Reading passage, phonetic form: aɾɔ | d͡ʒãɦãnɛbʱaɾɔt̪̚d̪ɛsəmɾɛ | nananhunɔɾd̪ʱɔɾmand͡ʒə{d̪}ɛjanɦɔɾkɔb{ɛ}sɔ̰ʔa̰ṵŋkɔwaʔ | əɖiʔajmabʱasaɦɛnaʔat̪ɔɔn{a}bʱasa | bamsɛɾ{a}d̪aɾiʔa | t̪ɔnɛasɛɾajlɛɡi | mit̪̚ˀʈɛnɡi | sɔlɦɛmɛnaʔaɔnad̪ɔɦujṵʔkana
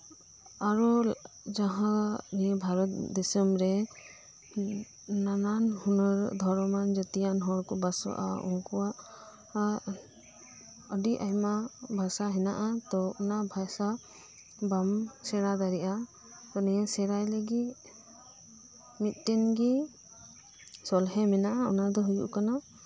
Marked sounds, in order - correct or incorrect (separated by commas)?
incorrect, incorrect, correct, correct